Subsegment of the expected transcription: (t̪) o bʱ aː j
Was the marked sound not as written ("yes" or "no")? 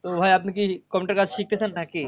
no